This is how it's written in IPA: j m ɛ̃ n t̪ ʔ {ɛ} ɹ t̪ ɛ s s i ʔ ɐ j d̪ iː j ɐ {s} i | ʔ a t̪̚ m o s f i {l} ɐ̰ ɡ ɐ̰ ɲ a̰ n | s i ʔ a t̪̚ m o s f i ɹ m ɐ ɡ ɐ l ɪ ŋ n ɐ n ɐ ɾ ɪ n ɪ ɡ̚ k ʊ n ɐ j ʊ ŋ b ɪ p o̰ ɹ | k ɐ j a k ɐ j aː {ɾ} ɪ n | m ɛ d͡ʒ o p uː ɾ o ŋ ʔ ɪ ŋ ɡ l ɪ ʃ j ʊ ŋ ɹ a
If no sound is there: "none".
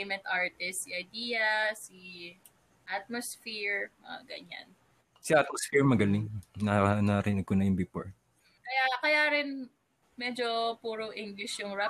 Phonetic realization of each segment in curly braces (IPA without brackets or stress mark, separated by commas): a, s, ɹ, ɾ